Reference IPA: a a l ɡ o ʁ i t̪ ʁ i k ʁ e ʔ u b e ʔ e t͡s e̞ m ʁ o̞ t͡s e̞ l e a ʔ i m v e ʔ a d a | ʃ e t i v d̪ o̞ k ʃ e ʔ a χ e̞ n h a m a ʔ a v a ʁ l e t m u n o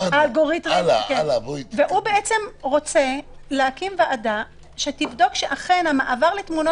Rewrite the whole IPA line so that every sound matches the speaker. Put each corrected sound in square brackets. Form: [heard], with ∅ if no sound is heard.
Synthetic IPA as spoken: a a l ɡ o ʁ i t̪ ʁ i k [v] e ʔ u b e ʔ e t͡s e̞ m ʁ o̞ t͡s e̞ l e a [k] i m v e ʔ a d a | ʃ e t i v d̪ o̞ k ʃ e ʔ a χ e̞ n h a m a ʔ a v a ʁ l e t m u n o